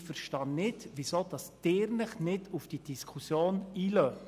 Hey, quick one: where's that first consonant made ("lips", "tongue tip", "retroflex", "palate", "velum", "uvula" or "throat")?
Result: lips